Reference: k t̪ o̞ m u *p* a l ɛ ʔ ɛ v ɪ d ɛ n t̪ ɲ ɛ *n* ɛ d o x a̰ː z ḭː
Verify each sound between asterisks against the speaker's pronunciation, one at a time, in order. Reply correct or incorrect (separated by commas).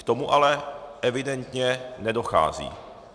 incorrect, correct